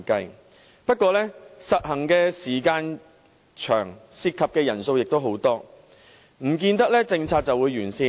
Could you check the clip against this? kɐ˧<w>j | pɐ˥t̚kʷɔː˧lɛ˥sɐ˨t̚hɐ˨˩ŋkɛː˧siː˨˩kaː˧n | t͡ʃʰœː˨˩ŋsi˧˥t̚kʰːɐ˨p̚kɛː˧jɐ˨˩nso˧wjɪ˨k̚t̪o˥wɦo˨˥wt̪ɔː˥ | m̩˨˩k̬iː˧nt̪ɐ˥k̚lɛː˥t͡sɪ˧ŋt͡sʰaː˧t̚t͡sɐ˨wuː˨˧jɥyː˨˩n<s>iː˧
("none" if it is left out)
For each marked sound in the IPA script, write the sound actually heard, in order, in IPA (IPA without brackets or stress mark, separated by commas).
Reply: none, s